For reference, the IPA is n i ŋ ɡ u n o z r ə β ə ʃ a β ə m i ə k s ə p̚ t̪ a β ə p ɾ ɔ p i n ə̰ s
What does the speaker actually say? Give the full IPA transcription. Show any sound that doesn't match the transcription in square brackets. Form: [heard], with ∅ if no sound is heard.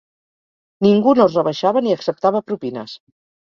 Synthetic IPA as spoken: n i ŋ ɡ u n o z r ə β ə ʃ a β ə [n] i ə k s ə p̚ t̪ a β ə p ɾ [u] p i n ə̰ s